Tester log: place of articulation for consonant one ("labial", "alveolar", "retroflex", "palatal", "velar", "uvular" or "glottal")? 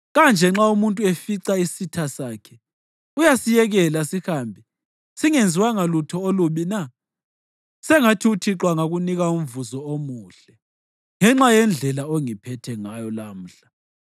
velar